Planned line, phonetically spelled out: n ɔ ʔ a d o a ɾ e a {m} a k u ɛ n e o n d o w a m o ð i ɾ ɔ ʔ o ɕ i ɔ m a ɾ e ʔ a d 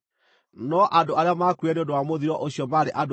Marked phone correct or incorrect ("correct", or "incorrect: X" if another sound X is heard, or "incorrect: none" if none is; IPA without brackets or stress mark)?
correct